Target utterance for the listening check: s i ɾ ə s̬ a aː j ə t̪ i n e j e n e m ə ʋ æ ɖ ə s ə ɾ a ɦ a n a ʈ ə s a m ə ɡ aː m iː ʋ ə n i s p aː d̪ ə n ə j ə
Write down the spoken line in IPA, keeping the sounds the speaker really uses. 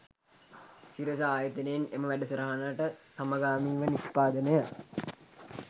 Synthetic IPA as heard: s i ɾ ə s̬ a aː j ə t̪ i n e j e n e m ə ʋ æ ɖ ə s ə ɾ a ɦ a n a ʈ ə s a m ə ɡ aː m iː ʋ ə n i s p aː d̪ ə n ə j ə